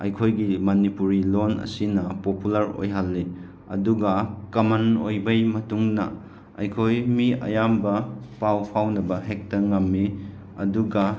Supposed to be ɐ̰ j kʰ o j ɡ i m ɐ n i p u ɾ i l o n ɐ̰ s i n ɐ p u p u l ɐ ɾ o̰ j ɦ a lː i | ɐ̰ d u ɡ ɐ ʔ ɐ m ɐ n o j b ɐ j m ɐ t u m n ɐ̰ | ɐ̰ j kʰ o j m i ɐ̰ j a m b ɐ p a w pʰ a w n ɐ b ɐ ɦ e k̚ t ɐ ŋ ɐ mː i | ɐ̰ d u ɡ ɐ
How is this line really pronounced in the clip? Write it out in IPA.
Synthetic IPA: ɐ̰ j kʰ o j ɡ i m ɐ n i p u ɾ i l o n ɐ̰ s i n ɐ p o p u l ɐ ɾ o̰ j ɦ a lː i | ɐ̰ d u ɡ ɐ k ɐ m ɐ n o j b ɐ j m ɐ t u ŋ n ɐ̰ | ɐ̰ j kʰ o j m i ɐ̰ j a m b ɐ p a w pʰ a w n ɐ b ɐ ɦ e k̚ t ɐ ŋ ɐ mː i | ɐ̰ d u ɡ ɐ